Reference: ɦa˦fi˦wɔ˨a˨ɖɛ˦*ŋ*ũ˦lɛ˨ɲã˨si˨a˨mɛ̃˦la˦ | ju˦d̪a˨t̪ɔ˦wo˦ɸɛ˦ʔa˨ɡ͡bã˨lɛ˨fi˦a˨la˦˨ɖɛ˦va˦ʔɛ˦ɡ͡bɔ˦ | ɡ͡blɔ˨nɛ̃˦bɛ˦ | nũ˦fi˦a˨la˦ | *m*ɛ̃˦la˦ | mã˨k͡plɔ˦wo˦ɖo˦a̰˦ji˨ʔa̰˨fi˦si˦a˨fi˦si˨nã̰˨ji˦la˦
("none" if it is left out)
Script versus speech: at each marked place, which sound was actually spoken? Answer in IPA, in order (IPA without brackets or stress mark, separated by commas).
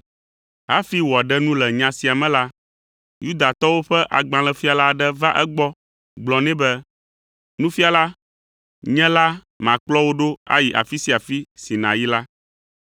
n, ɲ